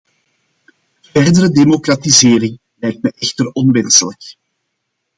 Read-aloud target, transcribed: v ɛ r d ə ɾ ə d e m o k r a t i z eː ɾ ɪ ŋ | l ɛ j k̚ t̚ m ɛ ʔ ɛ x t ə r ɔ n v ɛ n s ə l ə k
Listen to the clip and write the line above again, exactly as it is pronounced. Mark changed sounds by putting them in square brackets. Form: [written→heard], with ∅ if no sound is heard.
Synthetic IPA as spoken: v ɛ r d ə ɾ ə d e m o k r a t i z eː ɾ ɪ ŋ | l ɛ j k̚ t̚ m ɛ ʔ ɛ x t ə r ɔ n [v→ʋ] ɛ n s ə l ə k